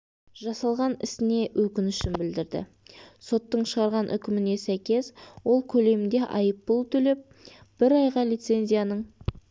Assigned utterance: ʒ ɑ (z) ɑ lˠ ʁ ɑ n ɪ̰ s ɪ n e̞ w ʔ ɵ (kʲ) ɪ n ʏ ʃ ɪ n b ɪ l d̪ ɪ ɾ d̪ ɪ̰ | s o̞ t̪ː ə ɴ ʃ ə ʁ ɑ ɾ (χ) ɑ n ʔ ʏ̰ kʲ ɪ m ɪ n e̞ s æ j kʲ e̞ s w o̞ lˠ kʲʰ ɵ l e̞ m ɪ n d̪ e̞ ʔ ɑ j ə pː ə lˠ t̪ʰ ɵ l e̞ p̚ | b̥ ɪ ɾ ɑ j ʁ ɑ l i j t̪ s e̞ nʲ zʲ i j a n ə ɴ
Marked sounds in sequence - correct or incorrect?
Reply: incorrect: s, correct, incorrect: ʁ

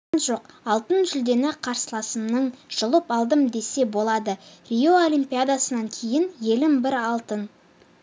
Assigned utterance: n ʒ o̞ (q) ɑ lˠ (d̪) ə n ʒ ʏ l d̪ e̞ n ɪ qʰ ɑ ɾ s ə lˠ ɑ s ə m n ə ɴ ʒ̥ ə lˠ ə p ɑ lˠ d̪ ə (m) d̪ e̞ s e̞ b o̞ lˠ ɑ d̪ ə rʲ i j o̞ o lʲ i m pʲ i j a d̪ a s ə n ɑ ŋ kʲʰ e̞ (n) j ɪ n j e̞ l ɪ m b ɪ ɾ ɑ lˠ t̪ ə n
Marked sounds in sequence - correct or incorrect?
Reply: correct, incorrect: t̪, correct, incorrect: none

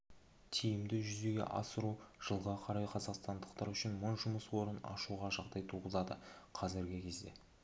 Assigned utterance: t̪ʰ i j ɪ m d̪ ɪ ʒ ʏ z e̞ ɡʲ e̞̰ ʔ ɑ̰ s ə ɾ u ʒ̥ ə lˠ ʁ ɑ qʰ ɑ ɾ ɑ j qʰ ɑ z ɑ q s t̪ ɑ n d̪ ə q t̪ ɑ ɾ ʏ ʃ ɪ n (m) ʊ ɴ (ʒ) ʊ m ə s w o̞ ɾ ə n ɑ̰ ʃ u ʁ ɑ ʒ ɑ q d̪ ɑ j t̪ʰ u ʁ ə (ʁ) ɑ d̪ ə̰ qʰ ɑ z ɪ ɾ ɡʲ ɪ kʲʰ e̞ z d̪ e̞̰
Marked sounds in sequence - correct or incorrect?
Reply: correct, correct, incorrect: z

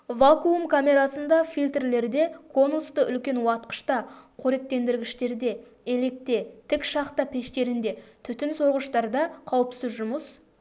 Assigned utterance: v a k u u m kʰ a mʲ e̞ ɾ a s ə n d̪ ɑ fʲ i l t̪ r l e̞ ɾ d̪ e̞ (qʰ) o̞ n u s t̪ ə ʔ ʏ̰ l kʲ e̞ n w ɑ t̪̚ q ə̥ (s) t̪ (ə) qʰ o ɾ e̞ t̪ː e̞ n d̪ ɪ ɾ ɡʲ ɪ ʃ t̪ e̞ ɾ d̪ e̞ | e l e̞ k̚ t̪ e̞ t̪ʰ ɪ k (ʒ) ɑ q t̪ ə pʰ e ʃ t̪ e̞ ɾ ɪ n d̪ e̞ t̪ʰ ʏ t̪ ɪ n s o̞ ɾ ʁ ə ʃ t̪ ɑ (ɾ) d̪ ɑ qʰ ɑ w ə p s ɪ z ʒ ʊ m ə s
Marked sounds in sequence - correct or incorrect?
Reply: incorrect: kʰ, incorrect: ʃ, incorrect: ɑ, incorrect: ʃ, correct

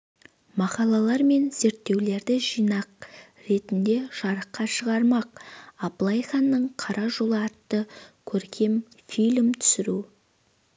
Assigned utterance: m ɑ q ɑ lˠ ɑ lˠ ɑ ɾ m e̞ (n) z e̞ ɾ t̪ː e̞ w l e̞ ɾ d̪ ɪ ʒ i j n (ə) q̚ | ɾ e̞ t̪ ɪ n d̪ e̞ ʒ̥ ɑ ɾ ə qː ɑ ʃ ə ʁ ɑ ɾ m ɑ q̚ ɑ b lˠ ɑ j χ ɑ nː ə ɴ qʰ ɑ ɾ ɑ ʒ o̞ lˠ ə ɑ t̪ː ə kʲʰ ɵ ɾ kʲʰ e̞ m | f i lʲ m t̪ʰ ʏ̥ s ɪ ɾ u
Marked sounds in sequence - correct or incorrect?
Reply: correct, incorrect: ɑ

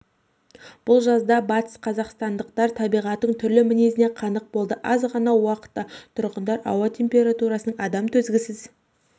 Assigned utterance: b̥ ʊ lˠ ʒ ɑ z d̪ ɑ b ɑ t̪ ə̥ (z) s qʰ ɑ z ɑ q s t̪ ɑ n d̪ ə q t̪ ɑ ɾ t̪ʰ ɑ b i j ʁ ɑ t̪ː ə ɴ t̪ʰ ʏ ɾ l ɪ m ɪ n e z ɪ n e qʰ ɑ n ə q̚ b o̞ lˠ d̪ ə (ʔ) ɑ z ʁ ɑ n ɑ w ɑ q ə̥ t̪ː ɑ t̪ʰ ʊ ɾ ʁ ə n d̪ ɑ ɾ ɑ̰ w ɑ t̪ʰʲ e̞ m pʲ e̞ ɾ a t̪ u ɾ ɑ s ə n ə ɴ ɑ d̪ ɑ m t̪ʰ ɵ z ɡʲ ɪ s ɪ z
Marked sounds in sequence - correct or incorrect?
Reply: incorrect: none, correct

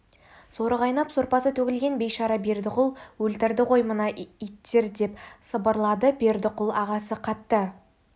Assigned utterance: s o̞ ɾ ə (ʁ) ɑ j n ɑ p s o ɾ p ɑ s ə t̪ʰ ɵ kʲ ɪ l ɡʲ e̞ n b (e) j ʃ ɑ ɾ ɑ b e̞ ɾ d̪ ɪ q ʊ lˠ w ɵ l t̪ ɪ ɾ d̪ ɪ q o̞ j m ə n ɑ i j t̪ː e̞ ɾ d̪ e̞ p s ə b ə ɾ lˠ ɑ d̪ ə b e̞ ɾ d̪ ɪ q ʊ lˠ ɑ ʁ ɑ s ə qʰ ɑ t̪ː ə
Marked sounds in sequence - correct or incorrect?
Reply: correct, correct

